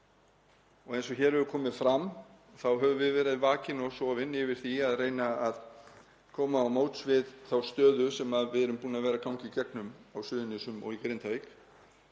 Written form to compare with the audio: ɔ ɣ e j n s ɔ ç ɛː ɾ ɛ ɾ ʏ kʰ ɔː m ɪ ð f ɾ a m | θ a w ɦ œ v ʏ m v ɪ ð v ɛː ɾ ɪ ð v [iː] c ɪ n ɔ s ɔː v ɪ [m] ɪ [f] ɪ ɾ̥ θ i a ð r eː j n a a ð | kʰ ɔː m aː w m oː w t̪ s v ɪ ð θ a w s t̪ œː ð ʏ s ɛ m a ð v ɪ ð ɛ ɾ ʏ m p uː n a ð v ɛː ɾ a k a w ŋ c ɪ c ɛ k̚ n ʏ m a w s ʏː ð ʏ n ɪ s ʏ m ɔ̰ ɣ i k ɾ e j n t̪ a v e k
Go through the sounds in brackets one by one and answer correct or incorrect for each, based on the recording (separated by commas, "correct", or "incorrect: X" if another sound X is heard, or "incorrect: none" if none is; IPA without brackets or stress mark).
incorrect: aː, incorrect: n, incorrect: v